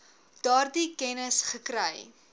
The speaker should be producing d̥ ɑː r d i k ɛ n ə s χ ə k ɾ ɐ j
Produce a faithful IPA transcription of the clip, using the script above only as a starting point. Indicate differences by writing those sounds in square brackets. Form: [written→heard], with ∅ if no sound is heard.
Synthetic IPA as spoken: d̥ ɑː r d i k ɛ n ə s χ ə k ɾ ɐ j